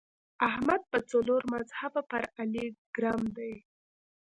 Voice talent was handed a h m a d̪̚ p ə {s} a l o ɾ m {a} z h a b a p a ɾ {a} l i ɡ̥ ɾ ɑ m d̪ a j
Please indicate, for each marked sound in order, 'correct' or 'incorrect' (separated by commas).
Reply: incorrect, correct, correct